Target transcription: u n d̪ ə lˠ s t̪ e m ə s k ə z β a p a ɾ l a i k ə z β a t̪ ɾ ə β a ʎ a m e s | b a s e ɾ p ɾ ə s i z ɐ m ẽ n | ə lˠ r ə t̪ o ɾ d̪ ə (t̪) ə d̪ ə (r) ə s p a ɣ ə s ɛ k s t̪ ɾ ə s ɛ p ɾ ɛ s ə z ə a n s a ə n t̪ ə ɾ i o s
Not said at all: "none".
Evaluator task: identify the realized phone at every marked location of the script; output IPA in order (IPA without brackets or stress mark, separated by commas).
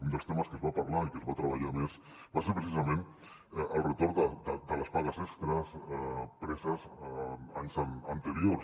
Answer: d̪, l